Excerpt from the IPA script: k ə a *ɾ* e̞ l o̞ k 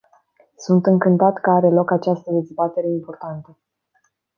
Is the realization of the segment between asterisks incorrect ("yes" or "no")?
no